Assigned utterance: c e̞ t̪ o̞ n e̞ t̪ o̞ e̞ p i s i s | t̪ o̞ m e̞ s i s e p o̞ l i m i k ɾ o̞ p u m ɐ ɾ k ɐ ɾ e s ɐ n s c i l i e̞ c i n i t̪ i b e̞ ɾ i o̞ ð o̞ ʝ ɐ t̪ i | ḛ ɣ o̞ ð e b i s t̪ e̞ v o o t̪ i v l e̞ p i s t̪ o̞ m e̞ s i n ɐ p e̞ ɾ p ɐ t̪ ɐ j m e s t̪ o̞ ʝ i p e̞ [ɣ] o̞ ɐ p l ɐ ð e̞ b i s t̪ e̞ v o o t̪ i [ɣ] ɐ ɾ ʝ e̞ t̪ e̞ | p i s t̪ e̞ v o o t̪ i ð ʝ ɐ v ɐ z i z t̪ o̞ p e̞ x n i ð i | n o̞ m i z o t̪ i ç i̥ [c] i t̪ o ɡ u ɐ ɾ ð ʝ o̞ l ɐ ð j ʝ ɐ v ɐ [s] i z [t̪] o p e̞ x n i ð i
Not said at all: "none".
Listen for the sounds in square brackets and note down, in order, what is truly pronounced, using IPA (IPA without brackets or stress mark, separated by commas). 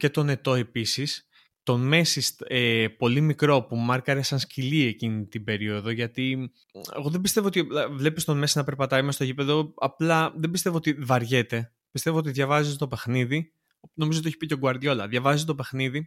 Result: ð, v, p, z, t̪